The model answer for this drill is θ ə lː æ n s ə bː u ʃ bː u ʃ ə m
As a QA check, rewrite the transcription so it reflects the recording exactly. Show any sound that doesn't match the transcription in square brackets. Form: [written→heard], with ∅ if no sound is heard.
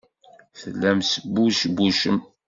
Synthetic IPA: θ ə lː æ [n→m] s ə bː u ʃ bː u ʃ ə m